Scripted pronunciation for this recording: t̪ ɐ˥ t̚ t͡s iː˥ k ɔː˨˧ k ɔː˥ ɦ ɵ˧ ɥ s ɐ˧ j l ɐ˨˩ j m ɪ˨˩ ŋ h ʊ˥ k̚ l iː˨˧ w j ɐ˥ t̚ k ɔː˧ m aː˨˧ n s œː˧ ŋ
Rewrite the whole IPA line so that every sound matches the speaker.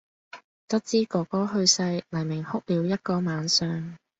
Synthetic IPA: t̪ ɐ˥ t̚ t͡s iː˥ k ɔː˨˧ k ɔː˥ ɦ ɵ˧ ɥ s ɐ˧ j l ɐ˨˩ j m ɪ˨˩ ŋ h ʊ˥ k̚ l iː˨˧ w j ɐ˥ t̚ k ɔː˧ m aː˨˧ n s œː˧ ŋ